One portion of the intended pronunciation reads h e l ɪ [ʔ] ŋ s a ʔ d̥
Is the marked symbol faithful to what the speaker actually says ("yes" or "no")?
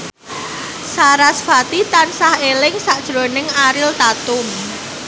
no